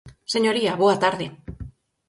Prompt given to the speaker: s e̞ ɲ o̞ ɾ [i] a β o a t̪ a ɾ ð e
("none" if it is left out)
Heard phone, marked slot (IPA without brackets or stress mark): i